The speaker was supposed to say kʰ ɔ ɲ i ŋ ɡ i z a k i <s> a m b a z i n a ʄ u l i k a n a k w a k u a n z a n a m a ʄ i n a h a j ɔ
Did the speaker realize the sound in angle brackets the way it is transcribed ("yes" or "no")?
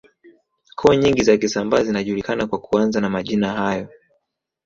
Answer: yes